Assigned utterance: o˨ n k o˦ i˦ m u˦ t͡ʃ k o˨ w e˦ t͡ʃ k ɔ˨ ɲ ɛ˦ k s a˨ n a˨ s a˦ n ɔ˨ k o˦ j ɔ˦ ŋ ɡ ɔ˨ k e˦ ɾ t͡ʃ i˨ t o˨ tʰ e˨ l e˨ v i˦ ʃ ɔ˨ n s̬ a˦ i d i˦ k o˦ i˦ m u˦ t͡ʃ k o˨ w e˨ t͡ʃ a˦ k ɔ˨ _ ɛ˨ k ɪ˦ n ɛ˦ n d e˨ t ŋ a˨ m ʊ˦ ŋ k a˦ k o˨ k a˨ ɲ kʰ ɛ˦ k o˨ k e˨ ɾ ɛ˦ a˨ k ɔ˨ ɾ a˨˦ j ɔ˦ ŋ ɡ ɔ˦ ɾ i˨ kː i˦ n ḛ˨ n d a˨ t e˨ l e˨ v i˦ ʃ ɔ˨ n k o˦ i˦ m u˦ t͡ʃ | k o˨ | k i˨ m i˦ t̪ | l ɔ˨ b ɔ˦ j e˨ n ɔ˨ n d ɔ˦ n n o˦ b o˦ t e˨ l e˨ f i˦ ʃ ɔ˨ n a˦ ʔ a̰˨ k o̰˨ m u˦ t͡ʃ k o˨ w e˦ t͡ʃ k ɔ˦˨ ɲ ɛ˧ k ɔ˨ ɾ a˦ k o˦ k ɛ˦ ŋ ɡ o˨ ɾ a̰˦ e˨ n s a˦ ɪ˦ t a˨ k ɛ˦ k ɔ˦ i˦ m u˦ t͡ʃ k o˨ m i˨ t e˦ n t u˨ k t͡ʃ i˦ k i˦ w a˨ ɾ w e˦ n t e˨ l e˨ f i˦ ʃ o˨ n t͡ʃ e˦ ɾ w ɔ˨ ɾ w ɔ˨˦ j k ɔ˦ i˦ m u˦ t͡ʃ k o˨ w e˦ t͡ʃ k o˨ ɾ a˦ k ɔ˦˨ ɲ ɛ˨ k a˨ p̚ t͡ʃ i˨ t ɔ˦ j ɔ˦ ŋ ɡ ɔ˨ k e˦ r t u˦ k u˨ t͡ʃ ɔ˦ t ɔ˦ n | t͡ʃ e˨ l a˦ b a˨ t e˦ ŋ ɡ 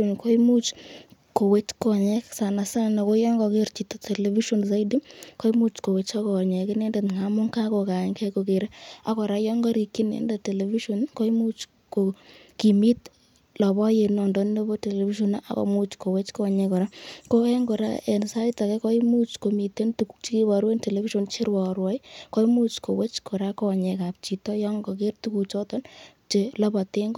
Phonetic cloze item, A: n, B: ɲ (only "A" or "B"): B